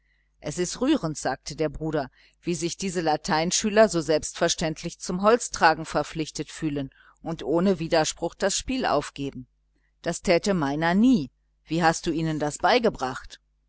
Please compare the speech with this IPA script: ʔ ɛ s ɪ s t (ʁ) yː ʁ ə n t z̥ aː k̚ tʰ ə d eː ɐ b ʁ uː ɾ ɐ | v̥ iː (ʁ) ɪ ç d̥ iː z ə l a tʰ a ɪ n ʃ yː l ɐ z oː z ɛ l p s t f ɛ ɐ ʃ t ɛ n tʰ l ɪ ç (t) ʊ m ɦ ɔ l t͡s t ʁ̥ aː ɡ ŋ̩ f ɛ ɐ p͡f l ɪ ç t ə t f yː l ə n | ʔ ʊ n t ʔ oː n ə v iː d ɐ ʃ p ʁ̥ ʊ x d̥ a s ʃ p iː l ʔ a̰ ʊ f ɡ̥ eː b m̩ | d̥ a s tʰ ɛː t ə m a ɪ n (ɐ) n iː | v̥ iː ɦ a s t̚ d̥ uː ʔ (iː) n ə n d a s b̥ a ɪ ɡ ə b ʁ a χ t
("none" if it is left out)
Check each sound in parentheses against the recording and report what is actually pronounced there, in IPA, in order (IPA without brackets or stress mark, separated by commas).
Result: ʁ, z, t͡s, ɐ, iː